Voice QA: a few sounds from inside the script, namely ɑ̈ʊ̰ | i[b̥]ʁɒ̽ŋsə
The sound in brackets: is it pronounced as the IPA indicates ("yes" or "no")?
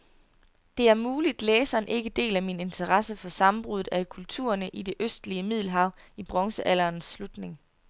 yes